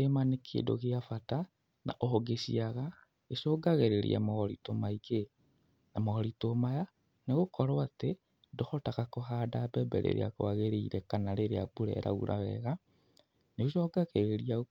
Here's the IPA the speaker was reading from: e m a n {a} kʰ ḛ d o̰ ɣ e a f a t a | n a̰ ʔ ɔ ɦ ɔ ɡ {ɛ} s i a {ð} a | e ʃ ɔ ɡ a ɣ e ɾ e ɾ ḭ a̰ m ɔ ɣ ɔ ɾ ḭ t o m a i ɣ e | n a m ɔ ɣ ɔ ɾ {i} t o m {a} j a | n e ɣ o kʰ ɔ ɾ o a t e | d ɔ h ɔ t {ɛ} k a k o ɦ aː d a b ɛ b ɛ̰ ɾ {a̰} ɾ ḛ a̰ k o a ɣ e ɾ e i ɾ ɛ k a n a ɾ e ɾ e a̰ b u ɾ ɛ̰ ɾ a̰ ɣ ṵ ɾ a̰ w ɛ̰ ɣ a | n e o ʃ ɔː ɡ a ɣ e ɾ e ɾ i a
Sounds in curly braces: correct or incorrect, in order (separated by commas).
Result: incorrect, incorrect, incorrect, correct, correct, incorrect, incorrect